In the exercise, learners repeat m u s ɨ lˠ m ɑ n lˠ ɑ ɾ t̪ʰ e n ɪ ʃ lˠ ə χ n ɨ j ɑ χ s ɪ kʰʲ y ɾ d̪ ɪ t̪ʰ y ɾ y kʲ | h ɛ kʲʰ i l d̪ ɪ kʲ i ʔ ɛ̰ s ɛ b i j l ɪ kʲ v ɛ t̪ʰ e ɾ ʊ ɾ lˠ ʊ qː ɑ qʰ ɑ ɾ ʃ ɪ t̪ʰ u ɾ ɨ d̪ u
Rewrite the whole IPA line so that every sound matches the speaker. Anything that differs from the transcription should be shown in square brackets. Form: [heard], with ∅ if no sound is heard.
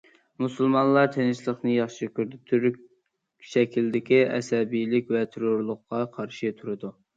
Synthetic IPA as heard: m u s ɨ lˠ m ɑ n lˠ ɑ ɾ t̪ʰ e n ɪ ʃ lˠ ə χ n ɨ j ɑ χ [ʃ] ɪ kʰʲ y ɾ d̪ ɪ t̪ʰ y ɾ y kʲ | [ʃ] ɛ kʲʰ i l d̪ ɪ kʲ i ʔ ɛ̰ s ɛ b i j l ɪ kʲ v ɛ t̪ʰ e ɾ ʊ ɾ lˠ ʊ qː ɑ qʰ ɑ ɾ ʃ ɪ t̪ʰ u ɾ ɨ d̪ u